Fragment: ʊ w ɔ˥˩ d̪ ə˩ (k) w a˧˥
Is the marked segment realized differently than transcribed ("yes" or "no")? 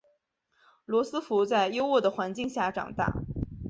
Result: yes